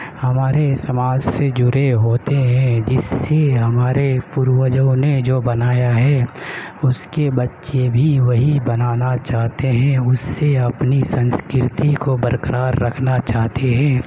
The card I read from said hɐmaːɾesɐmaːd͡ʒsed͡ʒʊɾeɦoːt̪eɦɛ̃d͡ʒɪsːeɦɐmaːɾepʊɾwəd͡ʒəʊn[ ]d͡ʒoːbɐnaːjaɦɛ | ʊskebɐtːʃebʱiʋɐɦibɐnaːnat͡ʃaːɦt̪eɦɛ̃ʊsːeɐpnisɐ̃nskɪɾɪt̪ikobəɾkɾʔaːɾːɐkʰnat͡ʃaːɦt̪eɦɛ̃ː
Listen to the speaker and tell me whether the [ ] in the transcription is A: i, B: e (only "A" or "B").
B